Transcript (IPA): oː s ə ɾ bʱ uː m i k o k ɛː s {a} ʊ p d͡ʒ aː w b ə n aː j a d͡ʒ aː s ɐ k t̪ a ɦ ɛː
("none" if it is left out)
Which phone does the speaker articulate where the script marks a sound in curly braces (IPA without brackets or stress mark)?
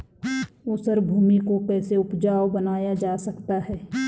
e